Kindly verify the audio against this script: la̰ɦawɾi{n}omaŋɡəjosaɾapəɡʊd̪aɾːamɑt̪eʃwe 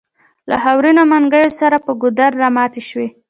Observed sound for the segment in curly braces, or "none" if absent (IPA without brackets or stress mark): n